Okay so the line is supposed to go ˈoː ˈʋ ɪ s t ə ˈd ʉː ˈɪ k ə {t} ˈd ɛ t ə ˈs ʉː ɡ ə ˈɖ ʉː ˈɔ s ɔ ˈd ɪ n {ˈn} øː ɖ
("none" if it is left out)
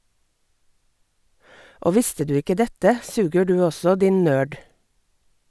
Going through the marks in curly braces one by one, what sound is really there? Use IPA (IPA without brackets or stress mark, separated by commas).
none, n